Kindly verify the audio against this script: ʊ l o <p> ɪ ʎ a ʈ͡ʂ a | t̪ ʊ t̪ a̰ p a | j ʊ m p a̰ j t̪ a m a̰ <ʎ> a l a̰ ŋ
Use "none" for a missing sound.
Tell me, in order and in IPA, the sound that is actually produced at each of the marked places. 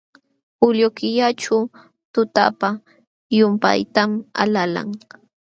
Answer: k, l

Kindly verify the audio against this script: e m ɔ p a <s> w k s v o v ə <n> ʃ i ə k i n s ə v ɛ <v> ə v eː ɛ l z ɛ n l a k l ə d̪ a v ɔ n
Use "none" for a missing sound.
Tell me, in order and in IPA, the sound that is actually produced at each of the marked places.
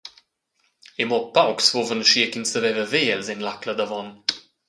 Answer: none, n, v

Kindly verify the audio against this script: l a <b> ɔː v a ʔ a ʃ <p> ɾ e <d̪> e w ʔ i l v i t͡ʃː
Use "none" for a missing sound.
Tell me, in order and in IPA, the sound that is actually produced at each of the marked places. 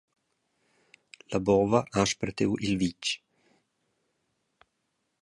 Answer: b, p, t̪

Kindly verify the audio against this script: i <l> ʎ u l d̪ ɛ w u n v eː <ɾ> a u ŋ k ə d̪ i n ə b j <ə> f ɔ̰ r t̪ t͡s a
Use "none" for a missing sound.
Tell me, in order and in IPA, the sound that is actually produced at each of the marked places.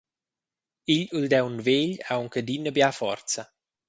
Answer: none, ʎ, a

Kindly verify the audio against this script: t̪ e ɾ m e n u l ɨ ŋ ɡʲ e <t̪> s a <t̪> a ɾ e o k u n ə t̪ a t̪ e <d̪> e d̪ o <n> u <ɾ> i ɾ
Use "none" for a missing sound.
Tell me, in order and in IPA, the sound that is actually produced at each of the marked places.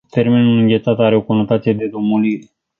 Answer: t̪, t̪, d̪, m, l

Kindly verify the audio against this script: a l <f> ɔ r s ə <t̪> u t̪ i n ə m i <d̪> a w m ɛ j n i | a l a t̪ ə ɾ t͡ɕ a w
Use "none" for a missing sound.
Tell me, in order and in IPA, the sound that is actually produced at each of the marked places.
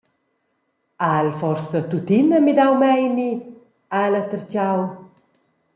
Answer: f, t̪, d̪

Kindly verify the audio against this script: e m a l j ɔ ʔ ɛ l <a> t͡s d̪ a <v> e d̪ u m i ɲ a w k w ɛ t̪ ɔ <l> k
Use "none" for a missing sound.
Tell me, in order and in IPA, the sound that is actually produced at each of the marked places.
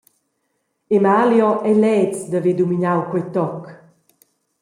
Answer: ɛ, v, none

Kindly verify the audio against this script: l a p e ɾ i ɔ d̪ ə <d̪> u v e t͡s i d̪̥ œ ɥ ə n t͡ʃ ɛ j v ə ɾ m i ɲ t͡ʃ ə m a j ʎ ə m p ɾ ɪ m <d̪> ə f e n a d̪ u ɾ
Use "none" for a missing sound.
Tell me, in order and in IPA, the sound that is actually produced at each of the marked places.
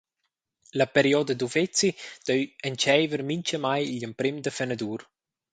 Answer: d̪, d̪

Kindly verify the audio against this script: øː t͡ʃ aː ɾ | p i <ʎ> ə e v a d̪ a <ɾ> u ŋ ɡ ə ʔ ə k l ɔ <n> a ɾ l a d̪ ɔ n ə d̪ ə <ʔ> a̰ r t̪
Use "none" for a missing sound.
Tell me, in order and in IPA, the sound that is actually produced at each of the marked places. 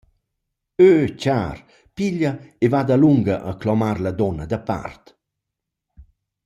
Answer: ʎ, l, m, p

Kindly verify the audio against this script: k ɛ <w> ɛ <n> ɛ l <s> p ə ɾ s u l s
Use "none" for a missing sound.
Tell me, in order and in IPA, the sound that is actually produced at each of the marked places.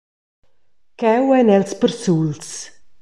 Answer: w, n, s

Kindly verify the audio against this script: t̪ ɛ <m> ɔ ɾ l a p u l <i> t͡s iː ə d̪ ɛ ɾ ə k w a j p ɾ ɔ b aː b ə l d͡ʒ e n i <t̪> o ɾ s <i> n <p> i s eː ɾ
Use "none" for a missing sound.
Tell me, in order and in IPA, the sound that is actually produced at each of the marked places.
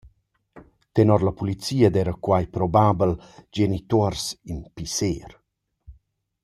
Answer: n, i, t̪, i, p

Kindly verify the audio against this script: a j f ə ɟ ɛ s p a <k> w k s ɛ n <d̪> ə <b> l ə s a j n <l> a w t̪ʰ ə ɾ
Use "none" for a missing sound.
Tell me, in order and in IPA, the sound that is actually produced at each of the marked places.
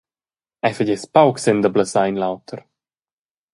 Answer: none, d̪, b, l

